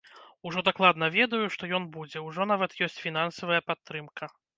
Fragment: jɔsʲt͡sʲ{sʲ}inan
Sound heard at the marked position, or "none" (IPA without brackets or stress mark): fʲ